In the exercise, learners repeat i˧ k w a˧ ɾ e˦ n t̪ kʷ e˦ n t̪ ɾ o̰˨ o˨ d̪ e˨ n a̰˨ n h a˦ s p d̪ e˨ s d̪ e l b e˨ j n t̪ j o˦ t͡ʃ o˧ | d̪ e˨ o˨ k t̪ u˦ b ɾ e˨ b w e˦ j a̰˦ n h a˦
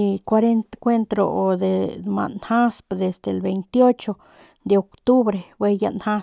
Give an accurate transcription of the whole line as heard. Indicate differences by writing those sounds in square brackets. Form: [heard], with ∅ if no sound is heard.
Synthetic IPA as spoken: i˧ k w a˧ ɾ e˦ n t̪ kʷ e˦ n t̪ ɾ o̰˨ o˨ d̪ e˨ [m] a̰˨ n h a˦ s p d̪ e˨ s d̪ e l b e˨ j n t̪ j o˦ t͡ʃ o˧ | d̪ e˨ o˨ k t̪ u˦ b ɾ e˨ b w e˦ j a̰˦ n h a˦

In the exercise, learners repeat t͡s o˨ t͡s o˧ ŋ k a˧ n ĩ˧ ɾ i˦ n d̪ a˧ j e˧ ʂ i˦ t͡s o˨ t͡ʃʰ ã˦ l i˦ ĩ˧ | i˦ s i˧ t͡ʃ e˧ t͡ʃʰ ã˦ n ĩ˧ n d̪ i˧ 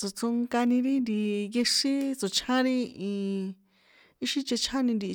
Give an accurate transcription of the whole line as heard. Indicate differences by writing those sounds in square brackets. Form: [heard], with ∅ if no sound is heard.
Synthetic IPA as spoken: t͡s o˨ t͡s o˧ ŋ k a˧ n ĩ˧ ɾ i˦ n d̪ [i˧] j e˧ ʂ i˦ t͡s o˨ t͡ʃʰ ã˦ [ɾ] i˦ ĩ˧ | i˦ [ʃ] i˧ t͡ʃ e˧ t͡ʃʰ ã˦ n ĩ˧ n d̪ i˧

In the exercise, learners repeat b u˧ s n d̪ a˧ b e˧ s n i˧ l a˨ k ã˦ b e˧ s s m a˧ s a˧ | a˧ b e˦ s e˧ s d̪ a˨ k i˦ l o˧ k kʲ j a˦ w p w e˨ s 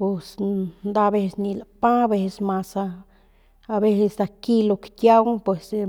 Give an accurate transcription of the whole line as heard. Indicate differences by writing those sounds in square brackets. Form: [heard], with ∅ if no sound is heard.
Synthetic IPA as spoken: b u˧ s n d̪ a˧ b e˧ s n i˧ l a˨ [p] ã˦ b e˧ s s m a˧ s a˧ | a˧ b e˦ s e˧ s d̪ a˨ k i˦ l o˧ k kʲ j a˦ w p w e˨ s

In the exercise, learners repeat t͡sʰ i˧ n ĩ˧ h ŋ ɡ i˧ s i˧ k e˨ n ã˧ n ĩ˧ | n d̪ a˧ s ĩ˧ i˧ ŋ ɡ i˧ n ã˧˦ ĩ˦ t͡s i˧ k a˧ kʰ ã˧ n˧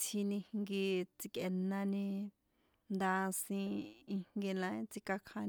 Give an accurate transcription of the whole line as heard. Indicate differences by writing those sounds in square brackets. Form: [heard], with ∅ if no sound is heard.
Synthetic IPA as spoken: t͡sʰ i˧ n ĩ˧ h ŋ ɡ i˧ [t͡s] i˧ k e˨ n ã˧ n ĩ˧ | n d̪ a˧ s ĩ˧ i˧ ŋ ɡ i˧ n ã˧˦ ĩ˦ t͡s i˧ k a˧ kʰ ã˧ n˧

